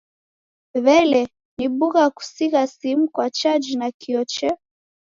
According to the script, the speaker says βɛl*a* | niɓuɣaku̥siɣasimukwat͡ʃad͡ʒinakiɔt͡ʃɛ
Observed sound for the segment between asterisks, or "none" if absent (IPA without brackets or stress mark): ɛ